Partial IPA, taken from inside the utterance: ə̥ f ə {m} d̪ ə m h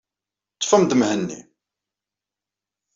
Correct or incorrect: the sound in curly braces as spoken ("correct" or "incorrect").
correct